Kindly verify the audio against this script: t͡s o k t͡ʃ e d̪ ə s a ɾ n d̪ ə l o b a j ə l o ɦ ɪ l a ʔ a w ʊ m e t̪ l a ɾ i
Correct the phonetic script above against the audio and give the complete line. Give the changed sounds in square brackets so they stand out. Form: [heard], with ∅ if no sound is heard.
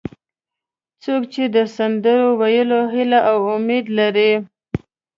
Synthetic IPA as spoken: t͡s o k t͡ʃ e d̪ ə s a [∅] n d̪ ə [ɾ] o [w] a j ə l o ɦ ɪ l a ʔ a w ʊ m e [d̪] l a ɾ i